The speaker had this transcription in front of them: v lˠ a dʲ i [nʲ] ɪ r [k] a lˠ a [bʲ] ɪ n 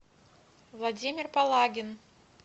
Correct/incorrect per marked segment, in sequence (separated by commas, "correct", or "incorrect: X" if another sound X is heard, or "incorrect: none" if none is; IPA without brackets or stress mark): incorrect: mʲ, incorrect: p, incorrect: ɡʲ